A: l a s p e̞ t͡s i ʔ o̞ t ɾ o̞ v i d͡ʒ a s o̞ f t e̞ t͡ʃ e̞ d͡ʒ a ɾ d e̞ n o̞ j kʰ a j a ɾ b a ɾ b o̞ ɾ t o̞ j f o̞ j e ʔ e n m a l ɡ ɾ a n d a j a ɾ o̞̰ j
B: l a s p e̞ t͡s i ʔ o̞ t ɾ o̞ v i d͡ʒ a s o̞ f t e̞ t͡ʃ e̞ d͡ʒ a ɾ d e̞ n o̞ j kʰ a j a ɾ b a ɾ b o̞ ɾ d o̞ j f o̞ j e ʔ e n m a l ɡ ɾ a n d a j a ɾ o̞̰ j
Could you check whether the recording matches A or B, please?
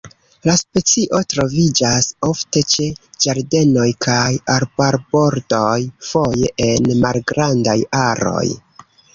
B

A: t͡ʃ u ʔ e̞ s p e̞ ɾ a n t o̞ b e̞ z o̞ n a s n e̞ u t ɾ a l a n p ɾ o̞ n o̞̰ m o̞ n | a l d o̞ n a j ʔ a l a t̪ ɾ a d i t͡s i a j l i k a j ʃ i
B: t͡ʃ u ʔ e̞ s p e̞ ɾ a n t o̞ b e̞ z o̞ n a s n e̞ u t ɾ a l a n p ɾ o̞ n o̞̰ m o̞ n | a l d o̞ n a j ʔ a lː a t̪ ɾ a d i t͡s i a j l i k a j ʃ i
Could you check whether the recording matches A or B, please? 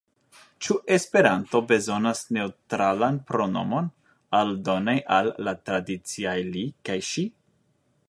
B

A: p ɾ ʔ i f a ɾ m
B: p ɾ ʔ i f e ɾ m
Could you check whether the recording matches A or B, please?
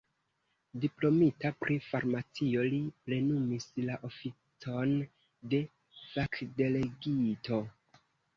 A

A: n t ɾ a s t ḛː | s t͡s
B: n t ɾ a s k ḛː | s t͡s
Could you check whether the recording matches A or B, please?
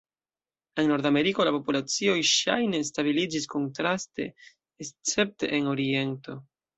A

